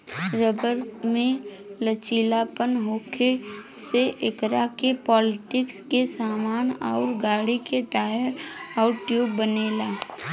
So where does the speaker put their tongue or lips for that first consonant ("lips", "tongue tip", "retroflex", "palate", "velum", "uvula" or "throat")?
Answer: tongue tip